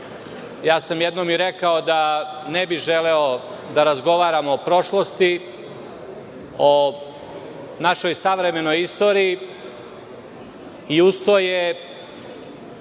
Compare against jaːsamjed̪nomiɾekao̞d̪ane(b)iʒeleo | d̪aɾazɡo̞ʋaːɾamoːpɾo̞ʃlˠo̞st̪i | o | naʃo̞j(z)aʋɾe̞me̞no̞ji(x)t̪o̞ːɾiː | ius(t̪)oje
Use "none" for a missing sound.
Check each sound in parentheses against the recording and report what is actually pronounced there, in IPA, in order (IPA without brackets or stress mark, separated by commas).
b, s, s, t̪